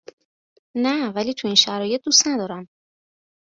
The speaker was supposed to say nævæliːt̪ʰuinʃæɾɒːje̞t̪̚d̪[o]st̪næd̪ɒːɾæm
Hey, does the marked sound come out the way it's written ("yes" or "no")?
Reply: no